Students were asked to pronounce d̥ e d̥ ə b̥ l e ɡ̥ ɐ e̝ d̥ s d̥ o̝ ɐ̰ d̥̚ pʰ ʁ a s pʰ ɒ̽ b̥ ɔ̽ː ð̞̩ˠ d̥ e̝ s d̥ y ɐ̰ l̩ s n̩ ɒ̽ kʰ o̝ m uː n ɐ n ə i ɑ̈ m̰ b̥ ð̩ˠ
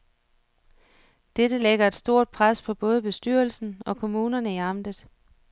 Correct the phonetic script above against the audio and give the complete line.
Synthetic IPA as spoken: d̥ e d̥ ə l e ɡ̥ ɐ e̝ d̥ s d̥ o̝ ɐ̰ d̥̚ pʰ ʁ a s pʰ ɒ̽ b̥ ɔ̽ː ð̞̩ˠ b̥ e̝ s d̥ y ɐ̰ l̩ s n̩ ɒ̽ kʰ o̝ m uː n ɐ n ə i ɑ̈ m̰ d̥ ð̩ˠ